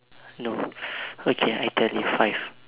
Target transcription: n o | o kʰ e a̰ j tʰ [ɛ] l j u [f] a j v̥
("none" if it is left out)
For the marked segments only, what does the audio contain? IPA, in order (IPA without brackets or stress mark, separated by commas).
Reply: ɛ, f